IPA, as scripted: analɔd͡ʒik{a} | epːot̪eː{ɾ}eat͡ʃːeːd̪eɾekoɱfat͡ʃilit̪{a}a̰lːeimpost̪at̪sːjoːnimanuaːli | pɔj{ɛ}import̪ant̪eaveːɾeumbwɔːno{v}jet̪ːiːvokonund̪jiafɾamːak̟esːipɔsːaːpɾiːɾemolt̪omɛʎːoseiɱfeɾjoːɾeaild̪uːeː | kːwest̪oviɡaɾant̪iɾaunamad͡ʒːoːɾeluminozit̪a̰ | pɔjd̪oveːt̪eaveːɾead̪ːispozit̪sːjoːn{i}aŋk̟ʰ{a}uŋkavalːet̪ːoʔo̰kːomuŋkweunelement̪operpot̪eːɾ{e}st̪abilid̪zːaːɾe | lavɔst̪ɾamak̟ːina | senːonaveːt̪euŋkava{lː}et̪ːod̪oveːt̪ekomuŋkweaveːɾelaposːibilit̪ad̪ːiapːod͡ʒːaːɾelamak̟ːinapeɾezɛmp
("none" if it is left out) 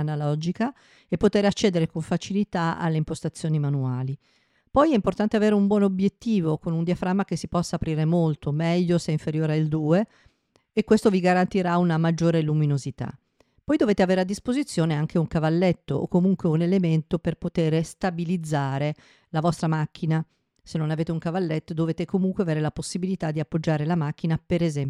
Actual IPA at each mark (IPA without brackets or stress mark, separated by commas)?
a, ɾ, a, ɛ, b, e, e, e, lː